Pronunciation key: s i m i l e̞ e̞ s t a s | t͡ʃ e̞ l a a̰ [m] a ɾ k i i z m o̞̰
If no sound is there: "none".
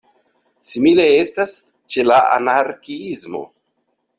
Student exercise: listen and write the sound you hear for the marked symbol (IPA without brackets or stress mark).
n